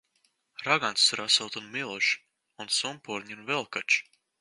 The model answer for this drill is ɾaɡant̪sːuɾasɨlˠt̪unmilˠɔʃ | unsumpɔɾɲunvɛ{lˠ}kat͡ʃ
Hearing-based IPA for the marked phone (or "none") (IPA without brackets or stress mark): lˠ